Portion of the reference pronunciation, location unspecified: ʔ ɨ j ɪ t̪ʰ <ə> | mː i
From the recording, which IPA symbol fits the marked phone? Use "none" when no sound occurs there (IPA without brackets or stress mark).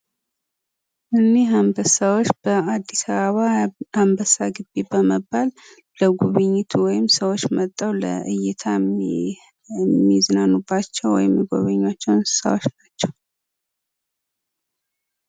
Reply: a